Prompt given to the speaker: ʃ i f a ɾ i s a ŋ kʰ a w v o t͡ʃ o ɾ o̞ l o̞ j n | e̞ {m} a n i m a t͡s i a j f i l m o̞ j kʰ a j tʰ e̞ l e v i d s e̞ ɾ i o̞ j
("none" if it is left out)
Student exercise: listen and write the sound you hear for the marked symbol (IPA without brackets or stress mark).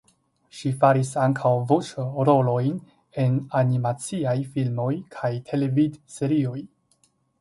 n